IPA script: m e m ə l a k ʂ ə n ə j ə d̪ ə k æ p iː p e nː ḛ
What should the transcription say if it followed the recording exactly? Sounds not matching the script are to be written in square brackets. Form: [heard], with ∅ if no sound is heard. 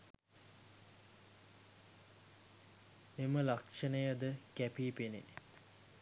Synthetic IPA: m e m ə l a k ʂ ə n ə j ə d̪ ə k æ p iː p e [n] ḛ